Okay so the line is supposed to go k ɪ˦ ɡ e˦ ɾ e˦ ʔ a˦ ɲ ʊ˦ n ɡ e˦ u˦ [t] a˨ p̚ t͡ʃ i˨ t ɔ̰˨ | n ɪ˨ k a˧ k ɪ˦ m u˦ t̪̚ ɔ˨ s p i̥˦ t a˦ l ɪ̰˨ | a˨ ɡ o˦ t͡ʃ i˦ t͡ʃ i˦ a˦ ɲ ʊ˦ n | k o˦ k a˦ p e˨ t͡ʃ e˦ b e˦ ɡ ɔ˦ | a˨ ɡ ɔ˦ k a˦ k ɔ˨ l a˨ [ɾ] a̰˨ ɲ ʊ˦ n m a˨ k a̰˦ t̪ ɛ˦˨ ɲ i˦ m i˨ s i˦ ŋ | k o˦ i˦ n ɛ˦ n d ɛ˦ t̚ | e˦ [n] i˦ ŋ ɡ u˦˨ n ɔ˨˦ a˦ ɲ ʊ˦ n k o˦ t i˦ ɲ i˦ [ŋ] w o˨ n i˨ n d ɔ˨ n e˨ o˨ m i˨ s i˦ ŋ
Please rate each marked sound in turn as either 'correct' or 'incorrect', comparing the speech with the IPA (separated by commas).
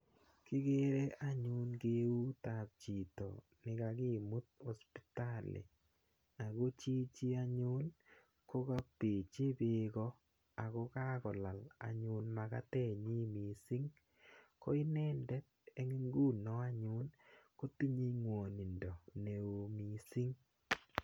correct, incorrect, incorrect, correct